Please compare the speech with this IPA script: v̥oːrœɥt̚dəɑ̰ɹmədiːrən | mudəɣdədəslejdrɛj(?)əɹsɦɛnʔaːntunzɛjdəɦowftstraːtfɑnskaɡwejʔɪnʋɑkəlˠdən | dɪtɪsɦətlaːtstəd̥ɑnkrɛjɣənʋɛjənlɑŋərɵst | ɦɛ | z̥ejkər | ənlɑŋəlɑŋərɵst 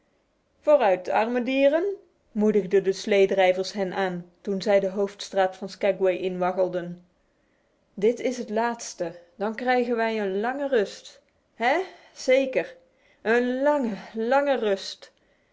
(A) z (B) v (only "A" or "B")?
B